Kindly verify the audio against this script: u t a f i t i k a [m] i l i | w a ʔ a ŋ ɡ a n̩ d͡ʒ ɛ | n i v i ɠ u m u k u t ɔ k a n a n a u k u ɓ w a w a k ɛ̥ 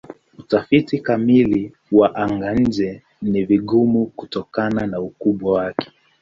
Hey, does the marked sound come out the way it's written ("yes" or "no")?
yes